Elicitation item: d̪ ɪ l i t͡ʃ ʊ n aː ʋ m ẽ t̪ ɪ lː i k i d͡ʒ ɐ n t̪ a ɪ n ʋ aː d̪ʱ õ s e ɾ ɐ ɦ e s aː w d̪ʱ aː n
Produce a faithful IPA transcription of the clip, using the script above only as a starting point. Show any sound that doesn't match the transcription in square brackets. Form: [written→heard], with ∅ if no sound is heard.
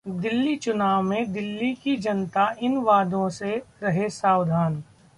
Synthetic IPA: d̪ ɪ [l→lː] i t͡ʃ ʊ n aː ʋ m ẽ [t̪→d̪] ɪ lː i k i d͡ʒ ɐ n t̪ a ɪ n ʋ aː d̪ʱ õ s e ɾ ɐ ɦ e s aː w d̪ʱ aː n